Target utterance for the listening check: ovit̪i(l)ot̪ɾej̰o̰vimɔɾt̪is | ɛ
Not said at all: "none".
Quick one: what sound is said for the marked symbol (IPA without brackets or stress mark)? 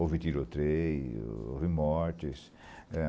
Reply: ɾ